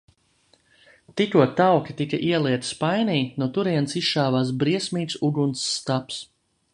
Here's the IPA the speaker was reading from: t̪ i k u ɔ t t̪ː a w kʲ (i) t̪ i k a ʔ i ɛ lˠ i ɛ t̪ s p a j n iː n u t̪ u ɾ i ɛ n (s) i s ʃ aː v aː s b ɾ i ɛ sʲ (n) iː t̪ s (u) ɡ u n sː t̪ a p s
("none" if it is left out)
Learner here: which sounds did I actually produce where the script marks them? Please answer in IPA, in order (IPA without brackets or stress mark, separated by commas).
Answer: i, s, m, u